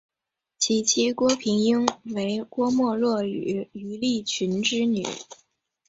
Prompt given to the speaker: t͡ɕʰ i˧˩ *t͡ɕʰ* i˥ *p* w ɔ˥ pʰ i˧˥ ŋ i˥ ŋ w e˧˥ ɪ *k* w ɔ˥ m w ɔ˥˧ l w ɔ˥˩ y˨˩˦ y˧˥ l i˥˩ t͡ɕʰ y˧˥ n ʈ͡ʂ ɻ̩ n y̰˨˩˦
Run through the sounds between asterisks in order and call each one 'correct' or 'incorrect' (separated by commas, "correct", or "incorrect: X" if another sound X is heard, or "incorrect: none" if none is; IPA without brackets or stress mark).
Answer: correct, incorrect: k, correct